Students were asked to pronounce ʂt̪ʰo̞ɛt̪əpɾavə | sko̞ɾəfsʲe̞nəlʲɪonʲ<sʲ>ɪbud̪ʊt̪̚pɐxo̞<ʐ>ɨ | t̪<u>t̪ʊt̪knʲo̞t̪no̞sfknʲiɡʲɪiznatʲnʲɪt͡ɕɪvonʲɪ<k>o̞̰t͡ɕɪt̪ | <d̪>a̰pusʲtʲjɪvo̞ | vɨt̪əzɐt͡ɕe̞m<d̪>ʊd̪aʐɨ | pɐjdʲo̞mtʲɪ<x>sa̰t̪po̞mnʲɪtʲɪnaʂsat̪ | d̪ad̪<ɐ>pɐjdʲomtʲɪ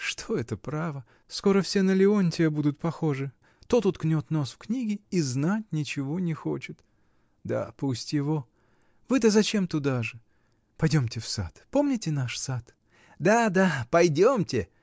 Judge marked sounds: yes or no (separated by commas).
no, yes, no, no, yes, no, no, no